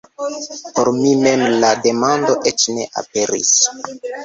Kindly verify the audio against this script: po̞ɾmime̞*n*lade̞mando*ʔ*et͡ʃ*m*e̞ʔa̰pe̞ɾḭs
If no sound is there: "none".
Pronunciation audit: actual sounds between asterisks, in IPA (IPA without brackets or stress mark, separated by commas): m, ʔ, n